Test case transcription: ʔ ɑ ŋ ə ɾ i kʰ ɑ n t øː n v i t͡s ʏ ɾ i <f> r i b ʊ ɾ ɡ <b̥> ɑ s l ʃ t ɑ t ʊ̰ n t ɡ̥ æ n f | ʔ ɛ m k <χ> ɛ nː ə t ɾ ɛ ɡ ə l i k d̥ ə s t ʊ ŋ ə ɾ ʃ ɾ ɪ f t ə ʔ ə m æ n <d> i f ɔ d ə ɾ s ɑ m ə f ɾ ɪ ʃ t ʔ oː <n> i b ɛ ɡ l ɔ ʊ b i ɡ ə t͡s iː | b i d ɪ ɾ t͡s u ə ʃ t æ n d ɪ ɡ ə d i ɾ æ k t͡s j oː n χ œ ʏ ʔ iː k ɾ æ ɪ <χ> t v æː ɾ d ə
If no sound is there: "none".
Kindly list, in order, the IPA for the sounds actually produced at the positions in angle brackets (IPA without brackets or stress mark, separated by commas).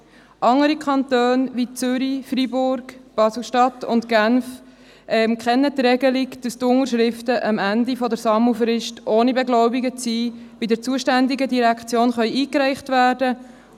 f, b̥, χ, d, n, χ